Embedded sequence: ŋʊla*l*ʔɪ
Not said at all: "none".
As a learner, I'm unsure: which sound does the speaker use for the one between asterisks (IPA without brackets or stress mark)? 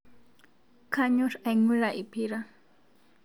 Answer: none